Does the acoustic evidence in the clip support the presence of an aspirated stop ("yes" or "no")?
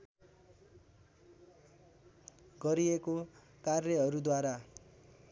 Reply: no